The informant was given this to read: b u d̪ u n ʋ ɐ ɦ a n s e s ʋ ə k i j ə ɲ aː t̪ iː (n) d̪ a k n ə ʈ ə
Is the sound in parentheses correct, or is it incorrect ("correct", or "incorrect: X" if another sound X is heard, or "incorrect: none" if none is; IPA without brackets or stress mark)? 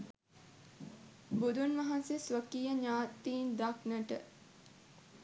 correct